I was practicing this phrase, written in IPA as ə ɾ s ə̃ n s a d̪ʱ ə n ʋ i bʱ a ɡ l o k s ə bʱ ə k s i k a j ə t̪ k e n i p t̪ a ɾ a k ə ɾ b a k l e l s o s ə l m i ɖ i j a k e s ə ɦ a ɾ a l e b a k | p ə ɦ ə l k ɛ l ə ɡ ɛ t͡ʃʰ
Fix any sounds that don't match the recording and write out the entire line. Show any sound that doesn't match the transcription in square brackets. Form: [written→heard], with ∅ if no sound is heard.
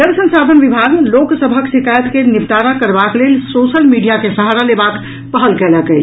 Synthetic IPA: ə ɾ s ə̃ n s a d̪ʱ ə n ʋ i bʱ a ɡ l o k s ə bʱ ə k s i k a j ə t̪ k e n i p t̪ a ɾ a k ə ɾ b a k l e l s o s ə l m i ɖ i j a k e s ə ɦ a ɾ a l e b a k | p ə ɦ ə l k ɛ l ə [ɡ→k] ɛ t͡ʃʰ

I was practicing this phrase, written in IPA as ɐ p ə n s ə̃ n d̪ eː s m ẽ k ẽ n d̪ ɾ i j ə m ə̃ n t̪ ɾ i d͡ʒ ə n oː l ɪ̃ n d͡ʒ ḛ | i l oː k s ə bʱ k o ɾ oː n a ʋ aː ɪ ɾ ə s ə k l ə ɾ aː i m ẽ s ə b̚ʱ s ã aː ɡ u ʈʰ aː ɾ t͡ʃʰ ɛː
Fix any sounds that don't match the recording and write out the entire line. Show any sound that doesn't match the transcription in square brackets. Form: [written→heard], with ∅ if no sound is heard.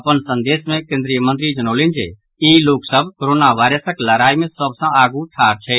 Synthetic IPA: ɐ p ə n s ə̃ n d̪ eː s m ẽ k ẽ n d̪ ɾ i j ə m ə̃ n t̪ ɾ i d͡ʒ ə n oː l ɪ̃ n d͡ʒ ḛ | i l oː k s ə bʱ k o ɾ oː n a ʋ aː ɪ ɾ ə s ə k l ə ɾ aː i m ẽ s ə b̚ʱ s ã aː ɡ u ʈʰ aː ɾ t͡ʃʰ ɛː

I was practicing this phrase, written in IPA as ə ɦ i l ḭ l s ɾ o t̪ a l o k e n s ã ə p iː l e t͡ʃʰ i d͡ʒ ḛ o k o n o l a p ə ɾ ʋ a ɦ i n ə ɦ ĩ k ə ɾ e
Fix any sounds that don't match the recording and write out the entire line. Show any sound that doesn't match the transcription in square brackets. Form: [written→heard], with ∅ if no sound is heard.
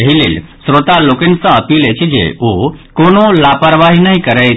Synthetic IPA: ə ɦ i l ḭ l s ɾ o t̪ a l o k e n s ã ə p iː l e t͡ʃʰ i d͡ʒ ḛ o k o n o l a p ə ɾ ʋ a ɦ i n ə ɦ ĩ k ə ɾ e

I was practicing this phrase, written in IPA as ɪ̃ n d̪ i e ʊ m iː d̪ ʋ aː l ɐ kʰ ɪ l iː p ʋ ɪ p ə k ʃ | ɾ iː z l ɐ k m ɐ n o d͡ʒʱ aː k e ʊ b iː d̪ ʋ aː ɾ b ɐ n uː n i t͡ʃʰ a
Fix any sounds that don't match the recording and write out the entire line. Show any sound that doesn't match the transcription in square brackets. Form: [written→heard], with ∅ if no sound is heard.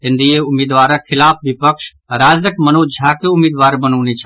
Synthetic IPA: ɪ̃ n d̪ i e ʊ m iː d̪ ʋ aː [l→ɾ] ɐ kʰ ɪ l [iː→aː] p ʋ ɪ p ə k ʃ | ɾ [iː→aː] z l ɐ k m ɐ n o d͡ʒʱ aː k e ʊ [b→m] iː d̪ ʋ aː ɾ b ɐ n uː n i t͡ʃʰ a

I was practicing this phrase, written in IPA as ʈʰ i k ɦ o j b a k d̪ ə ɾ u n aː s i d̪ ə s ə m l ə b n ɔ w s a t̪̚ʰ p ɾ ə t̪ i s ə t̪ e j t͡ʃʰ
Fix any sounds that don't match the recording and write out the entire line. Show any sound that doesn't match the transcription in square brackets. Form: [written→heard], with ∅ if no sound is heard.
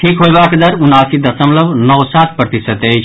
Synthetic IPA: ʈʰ i k ɦ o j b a k d̪ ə ɾ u n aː s i d̪ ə s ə m l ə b n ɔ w s a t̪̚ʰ p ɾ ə t̪ i s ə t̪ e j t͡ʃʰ

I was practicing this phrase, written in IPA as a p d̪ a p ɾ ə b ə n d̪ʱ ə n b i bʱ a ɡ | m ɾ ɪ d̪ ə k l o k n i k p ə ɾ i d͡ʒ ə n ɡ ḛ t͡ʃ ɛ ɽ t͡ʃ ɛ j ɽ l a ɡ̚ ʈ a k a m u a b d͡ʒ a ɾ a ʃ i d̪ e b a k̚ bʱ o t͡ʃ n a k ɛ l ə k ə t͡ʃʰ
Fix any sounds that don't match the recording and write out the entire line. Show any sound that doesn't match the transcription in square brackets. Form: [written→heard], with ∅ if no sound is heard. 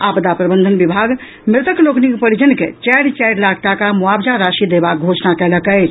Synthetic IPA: a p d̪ a p ɾ ə b ə n d̪ʱ ə n b i bʱ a ɡ | m ɾ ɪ [d̪→t̪] ə k l o k n i k p ə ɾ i d͡ʒ ə n [ɡ→k] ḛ t͡ʃ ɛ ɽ t͡ʃ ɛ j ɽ l a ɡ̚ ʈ a k a m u a b d͡ʒ a ɾ a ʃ i d̪ e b a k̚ [bʱ→ɡʱ] o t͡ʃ n a k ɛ l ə k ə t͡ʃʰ

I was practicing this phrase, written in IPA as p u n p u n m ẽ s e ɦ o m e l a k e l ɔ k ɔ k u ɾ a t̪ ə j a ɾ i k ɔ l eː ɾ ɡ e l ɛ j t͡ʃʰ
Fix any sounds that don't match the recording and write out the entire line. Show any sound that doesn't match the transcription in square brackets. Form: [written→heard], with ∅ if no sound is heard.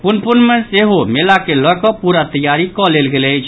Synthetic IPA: p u n p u n m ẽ s e ɦ o m e l a k e l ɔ k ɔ [k→p] u ɾ a t̪ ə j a ɾ i k ɔ l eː [ɾ→l] ɡ e l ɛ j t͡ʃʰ

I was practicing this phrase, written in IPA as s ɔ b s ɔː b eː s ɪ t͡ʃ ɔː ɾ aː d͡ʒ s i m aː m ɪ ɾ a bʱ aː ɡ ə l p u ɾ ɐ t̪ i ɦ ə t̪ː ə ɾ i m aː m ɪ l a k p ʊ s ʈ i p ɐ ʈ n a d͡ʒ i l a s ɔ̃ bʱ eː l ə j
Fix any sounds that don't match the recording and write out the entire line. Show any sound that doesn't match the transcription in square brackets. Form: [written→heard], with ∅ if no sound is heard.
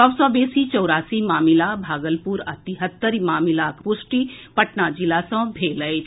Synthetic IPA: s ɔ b s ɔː b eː s [ɪ→i] t͡ʃ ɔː ɾ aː [d͡ʒ→∅] s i m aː m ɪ [ɾ→l] a bʱ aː ɡ ə l p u ɾ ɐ t̪ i ɦ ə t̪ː ə ɾ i m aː m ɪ l a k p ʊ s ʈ i p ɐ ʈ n a d͡ʒ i l a s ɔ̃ bʱ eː l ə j

